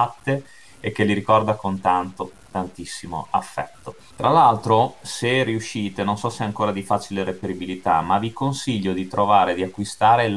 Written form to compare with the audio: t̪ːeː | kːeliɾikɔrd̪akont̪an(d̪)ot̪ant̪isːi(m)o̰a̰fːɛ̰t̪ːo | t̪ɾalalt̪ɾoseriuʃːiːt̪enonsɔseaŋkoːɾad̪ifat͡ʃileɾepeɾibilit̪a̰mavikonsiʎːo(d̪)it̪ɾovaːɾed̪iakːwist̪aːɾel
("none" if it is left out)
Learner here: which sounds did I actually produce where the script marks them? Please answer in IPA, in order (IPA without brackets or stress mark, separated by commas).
t̪, m, d̪